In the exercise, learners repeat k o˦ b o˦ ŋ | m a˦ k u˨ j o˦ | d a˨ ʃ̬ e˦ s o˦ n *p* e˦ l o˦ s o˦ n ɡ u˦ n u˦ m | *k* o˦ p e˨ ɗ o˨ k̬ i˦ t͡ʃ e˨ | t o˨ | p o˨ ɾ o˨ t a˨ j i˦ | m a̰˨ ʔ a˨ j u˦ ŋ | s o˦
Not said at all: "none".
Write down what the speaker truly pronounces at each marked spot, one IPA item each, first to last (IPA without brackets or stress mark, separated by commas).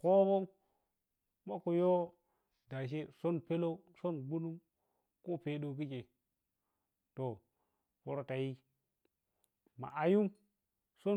p, k